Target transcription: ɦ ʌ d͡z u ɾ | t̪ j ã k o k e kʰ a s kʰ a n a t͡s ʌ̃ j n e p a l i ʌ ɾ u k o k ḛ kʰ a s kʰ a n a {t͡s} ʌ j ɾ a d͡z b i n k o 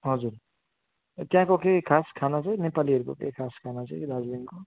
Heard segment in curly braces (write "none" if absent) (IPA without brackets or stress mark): t͡s